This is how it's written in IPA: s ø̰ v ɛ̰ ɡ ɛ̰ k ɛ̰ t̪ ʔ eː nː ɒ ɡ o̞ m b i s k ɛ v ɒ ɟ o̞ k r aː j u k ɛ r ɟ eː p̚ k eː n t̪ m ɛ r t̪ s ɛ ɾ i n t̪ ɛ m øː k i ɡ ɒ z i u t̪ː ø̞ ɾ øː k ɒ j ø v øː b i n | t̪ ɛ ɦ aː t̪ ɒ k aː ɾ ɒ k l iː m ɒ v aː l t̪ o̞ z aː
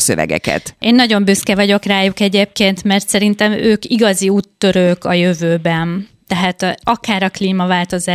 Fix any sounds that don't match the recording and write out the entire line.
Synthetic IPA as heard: s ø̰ v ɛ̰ ɡ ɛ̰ k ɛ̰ t̪ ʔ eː nː ɒ ɟ o̞ m b y s k ɛ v ɒ ɟ o̞ k r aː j u k ɛ ɟ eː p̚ k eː n t̪ m ɛ r t̪ s ɛ ɾ i n t̪ ɛ m øː k i ɡ ɒ z i uː t̪ː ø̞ ɾ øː k ɒ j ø v øː b ɛ n | t̪ ɛ ɦ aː t̪ ɒ k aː ɾ ɒ k l iː m ɒ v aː l t̪ o̞ z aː